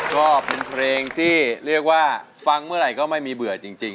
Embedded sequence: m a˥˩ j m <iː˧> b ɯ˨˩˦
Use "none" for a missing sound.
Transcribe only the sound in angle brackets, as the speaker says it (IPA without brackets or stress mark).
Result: iː˧